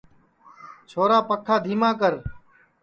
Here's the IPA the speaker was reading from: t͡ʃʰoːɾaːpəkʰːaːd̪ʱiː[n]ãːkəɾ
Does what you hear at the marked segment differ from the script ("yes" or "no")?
yes